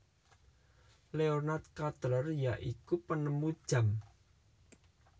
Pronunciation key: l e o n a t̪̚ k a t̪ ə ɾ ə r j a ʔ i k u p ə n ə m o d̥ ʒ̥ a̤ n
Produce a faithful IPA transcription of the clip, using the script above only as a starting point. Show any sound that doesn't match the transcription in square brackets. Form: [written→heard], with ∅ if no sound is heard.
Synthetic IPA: l e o n a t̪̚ k a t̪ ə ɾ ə r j a ʔ i k u p ə n ə m [o→u] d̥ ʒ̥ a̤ [n→m]